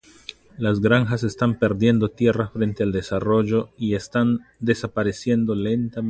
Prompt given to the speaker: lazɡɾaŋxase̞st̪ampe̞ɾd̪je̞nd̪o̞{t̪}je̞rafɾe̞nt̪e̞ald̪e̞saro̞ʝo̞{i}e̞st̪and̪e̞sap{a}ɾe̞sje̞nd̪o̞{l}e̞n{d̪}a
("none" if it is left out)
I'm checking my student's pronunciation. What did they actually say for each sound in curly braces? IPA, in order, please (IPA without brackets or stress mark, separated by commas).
t̪, i, a, l, t̪